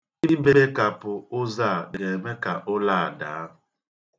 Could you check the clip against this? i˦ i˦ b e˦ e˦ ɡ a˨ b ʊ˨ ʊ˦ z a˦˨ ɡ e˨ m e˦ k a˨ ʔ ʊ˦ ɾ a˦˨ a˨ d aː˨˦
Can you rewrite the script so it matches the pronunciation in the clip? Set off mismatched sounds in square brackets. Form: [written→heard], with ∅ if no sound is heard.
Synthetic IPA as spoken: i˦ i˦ b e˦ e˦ [ɡ→k] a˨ [b→p] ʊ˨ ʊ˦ z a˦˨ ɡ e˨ m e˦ k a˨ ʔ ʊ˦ [ɾ→l] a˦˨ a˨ d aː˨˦

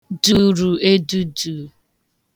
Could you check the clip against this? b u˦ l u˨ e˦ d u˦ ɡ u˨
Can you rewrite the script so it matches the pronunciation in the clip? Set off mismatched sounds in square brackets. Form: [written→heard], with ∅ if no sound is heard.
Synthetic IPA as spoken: [b→d] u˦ [l→ɾ] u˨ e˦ d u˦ [ɡ→d] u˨

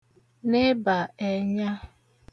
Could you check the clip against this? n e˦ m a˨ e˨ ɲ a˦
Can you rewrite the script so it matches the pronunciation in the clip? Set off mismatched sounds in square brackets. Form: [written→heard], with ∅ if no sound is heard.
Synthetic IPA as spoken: n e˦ [m→b] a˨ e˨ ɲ a˦

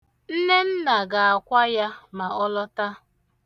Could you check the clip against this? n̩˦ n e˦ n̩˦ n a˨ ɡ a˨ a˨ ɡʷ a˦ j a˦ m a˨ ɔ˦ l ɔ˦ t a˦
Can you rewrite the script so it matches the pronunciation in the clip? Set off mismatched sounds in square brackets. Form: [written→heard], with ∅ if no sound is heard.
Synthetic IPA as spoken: n̩˦ n e˦ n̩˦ n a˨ ɡ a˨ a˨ [ɡʷ→kʷ] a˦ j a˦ m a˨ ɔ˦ l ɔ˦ t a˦

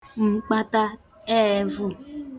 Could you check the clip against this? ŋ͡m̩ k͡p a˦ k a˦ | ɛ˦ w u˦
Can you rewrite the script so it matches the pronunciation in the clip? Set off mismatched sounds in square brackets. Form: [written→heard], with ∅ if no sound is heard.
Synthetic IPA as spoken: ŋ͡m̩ k͡p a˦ [k→t] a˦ | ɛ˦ [w→v] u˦

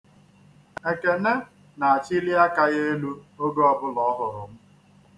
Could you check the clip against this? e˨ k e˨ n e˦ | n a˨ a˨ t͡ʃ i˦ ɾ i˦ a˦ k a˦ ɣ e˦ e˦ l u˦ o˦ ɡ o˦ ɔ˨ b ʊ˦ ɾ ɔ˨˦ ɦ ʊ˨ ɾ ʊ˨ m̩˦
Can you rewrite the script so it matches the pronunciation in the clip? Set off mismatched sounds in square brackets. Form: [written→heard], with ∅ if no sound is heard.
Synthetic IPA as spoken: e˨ k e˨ n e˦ | n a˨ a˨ t͡ʃ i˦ [ɾ→l] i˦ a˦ k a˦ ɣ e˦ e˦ l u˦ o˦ ɡ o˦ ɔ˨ b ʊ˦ [ɾ→l] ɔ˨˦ ɦ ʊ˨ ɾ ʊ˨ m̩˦

